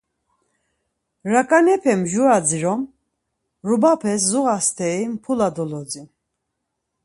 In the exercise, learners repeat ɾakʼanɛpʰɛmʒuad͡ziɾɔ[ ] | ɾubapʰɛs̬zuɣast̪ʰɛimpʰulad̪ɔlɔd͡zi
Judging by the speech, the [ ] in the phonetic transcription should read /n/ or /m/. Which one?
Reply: m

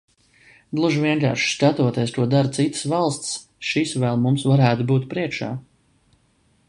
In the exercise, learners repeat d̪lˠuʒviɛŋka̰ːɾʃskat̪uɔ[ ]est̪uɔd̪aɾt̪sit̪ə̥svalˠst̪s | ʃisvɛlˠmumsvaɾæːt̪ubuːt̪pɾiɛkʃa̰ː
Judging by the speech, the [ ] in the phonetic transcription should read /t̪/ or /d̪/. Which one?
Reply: t̪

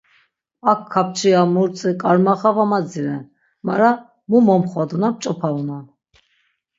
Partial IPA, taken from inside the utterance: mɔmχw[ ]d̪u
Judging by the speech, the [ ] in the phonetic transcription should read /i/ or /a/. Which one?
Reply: a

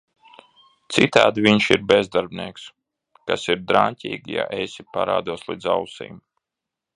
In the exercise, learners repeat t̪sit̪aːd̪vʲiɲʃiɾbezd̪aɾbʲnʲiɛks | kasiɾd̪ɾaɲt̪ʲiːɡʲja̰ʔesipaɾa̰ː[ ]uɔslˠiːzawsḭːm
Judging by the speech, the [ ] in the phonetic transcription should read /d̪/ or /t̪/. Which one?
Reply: d̪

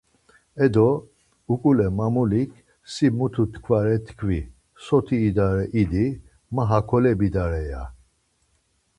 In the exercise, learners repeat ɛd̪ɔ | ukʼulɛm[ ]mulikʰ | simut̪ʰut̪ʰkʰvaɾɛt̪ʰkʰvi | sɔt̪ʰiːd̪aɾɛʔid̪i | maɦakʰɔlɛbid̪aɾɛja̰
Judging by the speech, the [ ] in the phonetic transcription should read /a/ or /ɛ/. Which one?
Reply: a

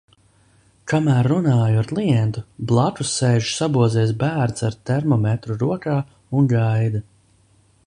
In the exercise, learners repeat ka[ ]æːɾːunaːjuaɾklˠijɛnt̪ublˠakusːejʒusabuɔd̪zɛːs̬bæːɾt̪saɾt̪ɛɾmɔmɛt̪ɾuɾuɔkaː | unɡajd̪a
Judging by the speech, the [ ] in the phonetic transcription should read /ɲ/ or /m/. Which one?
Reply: m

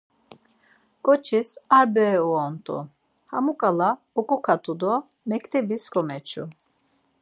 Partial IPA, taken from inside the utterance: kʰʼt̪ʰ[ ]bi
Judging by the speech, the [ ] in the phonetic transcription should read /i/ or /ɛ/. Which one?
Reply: ɛ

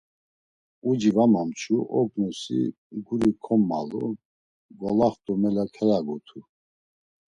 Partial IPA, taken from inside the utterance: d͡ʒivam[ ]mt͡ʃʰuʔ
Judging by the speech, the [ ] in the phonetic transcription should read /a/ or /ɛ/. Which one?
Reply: a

